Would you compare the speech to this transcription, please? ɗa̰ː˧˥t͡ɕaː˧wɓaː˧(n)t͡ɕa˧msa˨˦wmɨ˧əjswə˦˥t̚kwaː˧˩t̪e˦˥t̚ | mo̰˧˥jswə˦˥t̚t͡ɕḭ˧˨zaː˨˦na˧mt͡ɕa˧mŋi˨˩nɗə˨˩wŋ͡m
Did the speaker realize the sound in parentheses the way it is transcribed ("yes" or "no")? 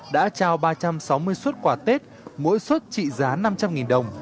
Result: no